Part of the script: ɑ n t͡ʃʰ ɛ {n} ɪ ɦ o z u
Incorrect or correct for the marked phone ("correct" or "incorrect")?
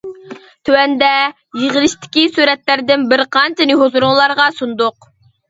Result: correct